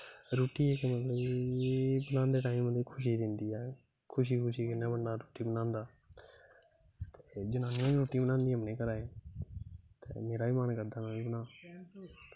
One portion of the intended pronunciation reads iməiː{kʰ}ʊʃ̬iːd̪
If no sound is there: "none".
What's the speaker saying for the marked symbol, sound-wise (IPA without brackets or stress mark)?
kʰ